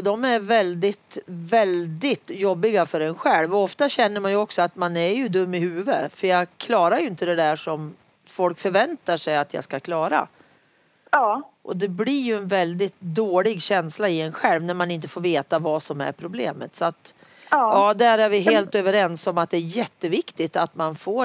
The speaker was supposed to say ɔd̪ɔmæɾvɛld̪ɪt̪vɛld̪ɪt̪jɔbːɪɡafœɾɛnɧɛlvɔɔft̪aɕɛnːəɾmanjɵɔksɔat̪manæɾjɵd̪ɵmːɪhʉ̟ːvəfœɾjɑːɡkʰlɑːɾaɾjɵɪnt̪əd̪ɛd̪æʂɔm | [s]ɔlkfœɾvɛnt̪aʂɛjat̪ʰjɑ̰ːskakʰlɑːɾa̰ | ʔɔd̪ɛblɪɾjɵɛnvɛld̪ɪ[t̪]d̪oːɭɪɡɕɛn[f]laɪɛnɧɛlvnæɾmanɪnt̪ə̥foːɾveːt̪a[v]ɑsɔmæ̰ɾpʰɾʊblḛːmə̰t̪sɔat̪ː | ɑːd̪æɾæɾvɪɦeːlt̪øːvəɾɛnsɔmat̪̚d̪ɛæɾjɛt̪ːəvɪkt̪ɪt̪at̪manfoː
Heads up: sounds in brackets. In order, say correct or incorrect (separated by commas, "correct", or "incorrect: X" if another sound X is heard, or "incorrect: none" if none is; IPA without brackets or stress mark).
incorrect: f, correct, incorrect: s, correct